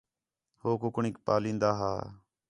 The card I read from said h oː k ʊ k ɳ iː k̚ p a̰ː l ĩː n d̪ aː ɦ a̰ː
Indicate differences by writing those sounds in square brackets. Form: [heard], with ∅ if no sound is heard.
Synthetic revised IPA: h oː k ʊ k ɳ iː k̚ p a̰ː l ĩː n d̪ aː ɦ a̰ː